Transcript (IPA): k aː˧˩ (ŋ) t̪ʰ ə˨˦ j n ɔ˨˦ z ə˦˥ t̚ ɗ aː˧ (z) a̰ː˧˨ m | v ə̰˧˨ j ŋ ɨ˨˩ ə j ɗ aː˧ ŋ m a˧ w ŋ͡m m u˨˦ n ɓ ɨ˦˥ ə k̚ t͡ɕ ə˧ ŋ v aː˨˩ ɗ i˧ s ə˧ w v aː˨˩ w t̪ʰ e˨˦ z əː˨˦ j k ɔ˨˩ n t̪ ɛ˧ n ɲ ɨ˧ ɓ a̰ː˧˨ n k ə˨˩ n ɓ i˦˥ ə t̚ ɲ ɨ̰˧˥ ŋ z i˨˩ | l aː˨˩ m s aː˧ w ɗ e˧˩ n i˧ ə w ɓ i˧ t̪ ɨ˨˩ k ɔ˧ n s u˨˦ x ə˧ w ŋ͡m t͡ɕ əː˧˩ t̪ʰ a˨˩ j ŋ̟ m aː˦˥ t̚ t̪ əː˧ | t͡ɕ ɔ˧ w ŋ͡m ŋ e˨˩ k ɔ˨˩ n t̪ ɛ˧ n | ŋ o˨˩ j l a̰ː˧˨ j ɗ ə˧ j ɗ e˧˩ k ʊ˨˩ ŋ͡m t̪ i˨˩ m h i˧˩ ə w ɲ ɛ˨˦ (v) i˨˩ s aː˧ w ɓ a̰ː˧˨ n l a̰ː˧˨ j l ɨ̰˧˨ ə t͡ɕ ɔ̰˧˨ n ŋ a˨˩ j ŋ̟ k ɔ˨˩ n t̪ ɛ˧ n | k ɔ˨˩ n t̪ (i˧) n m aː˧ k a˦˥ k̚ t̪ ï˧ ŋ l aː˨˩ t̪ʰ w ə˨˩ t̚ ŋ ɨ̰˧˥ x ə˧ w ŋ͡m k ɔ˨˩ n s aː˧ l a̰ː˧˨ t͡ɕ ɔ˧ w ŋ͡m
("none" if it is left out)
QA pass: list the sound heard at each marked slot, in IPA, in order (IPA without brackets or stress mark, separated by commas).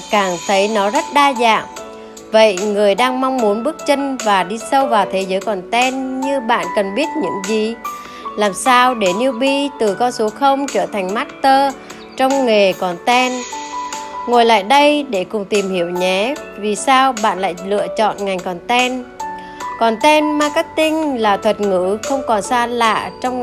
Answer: ŋ, z, v, ɛ˧